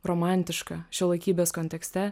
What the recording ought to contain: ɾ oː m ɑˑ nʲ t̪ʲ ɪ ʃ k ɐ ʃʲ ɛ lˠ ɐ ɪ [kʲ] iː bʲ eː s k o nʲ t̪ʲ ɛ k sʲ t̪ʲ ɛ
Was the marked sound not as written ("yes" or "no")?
no